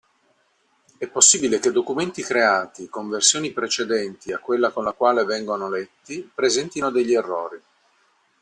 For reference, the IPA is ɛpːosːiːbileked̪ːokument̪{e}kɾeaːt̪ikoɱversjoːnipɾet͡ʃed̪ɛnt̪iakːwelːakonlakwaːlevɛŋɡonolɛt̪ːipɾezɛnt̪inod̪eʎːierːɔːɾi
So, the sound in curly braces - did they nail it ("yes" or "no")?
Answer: no